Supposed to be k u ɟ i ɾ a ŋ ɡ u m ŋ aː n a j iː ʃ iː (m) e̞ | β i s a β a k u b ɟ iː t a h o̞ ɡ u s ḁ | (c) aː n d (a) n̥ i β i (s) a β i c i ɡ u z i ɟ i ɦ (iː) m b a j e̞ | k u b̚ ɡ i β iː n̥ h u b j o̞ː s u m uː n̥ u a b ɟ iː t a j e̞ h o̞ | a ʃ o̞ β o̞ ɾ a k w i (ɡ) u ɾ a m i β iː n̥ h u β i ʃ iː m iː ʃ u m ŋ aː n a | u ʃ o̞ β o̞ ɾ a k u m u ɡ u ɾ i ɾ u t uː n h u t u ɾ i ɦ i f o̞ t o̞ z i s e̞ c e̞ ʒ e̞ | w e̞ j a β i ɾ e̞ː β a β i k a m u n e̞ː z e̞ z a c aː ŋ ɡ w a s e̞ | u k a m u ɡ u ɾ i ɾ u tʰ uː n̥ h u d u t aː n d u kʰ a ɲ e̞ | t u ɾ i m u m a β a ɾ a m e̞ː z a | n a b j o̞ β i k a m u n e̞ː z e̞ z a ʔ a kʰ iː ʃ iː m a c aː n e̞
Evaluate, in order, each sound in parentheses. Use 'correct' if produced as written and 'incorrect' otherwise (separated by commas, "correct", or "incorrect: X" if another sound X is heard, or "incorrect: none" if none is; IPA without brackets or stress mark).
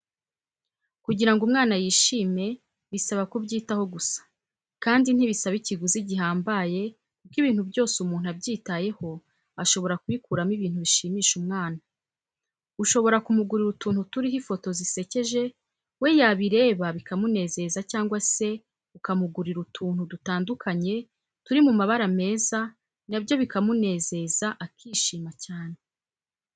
correct, incorrect: k, incorrect: i, correct, incorrect: aː, incorrect: k